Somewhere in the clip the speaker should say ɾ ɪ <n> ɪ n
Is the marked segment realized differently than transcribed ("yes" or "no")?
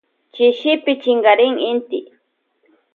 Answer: yes